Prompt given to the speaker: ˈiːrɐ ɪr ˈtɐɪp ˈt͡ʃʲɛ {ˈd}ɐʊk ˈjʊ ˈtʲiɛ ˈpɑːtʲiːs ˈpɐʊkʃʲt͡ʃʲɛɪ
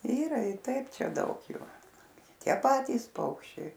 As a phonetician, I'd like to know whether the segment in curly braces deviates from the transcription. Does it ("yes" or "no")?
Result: no